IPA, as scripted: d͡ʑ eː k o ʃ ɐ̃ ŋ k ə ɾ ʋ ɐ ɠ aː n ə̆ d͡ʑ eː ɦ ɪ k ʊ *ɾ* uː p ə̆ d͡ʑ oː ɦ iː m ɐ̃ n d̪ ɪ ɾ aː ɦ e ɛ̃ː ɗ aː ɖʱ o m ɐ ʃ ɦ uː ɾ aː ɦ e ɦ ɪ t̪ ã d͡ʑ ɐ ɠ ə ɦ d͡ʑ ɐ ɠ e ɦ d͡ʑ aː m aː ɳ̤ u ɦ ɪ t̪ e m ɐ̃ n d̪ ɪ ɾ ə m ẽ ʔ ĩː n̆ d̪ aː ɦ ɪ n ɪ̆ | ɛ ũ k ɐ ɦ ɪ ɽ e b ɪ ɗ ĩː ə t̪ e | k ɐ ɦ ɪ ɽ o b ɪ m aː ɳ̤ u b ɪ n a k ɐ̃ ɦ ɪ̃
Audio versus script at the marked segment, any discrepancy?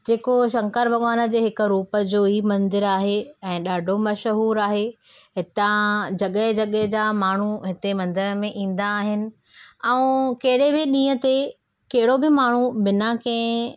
no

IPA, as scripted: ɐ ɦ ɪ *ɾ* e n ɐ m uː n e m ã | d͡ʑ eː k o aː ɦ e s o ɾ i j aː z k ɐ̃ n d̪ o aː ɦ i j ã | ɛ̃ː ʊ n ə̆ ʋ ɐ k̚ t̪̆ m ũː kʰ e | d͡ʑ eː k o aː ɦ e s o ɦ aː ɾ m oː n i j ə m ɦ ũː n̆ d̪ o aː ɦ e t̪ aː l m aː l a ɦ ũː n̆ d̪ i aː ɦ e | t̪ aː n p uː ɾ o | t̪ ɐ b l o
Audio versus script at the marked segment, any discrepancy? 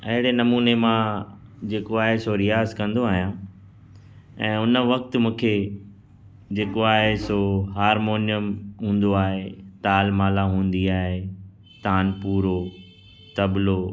yes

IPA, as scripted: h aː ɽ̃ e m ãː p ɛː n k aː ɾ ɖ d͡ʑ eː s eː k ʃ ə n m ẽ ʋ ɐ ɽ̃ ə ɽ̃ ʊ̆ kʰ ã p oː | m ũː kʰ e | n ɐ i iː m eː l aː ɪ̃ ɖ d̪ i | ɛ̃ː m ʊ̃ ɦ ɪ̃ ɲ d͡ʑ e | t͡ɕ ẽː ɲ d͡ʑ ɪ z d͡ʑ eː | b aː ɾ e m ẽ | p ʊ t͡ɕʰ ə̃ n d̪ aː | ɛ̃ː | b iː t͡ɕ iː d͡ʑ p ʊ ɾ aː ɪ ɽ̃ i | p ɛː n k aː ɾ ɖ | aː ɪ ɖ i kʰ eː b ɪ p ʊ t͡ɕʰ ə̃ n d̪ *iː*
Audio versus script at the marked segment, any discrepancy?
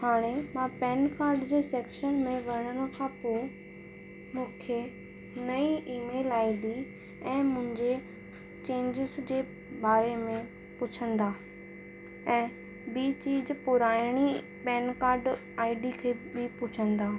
yes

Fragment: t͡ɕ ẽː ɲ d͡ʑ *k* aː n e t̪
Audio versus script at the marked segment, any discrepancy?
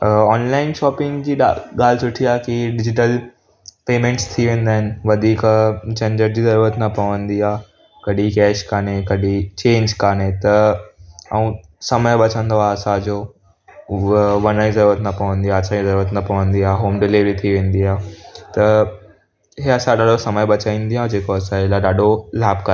no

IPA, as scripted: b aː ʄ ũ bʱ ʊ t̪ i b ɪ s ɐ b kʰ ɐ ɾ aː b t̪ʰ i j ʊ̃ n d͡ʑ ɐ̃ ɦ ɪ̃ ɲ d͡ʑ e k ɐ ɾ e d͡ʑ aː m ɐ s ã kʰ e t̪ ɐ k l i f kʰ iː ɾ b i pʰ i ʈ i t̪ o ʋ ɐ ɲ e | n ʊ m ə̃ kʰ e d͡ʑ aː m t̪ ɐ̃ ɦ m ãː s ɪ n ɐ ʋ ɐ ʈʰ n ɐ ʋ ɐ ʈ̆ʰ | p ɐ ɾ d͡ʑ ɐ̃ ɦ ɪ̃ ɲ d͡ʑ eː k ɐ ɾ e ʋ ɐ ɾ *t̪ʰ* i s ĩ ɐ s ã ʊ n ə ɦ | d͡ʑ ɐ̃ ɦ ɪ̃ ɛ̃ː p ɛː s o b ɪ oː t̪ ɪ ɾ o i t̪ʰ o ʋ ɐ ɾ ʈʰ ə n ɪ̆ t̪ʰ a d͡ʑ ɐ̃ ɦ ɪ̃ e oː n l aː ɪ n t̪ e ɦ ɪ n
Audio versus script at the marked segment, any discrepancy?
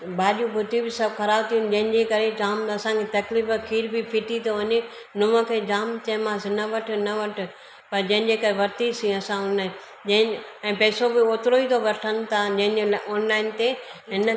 yes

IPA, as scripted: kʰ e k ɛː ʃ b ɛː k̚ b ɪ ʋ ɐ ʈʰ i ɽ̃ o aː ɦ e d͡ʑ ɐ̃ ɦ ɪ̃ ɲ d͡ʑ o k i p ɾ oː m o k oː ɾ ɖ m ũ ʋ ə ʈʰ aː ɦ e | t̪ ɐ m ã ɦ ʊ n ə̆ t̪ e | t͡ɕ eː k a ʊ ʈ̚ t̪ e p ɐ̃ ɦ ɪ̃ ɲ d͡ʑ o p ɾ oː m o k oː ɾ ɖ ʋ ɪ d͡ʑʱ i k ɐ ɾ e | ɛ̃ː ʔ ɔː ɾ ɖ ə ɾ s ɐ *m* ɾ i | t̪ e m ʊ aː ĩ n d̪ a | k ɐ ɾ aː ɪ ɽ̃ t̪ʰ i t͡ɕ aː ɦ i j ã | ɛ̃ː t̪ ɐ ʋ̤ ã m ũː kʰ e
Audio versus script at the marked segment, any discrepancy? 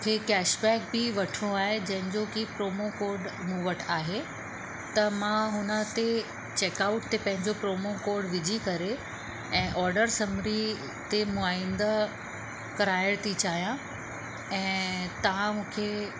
no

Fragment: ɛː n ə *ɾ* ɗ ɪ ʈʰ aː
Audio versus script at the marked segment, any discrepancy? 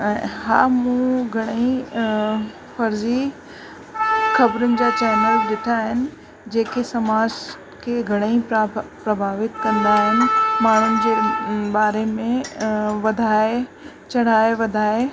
yes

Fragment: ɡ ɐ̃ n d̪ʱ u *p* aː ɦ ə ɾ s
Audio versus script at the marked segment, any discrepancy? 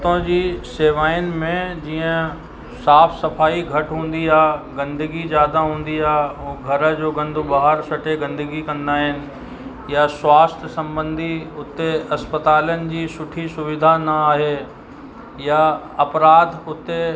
yes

